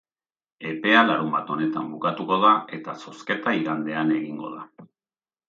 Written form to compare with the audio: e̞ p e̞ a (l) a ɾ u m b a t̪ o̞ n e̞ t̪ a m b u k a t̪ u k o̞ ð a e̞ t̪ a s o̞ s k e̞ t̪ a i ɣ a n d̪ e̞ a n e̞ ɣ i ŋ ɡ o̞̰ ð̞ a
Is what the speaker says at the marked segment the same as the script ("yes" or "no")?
yes